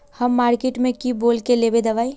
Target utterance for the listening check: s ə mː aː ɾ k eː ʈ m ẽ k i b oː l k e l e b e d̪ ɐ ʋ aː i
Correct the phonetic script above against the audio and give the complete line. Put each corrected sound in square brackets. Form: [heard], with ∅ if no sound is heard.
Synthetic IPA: [h] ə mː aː ɾ k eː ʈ m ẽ k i b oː l k e l e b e d̪ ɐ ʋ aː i